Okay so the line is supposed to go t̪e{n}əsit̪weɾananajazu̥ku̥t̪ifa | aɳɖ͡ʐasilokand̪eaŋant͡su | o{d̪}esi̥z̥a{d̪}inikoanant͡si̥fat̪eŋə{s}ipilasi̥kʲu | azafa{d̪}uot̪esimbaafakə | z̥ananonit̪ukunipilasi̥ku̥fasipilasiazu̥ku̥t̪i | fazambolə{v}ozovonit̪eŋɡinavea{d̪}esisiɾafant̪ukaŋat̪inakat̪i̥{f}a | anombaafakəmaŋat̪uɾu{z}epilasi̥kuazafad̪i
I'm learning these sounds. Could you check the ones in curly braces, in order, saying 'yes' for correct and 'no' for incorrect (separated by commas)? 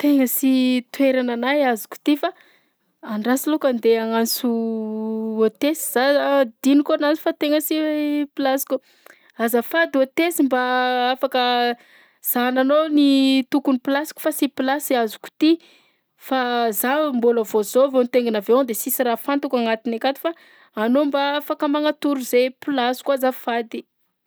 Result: no, no, yes, yes, yes, yes, yes, yes, yes